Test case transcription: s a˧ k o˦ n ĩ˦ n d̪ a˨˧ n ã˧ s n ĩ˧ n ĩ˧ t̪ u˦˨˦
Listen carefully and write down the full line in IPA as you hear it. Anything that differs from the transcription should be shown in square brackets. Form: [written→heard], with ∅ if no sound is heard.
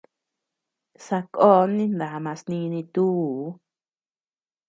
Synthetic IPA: s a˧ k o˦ n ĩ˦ n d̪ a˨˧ [n→m] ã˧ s n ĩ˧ n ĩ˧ t̪ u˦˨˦